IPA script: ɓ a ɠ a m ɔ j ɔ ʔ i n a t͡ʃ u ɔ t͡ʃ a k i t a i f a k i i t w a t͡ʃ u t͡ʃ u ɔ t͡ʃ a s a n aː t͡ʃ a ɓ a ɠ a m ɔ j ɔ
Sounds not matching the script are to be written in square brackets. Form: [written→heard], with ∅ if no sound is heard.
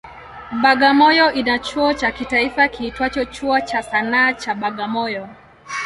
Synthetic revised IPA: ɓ a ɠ a m ɔ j ɔ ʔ i n a t͡ʃ u ɔ t͡ʃ a k i t a i f a k i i t w a t͡ʃ [u→ɔ] t͡ʃ u ɔ t͡ʃ a s a n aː t͡ʃ a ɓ a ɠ a m ɔ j ɔ